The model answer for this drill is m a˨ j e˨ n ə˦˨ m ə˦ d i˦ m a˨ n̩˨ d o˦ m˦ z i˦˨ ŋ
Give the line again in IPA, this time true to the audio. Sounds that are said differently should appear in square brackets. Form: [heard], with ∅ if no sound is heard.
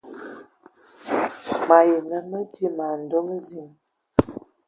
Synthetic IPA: m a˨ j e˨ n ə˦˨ m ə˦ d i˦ m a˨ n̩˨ d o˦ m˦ z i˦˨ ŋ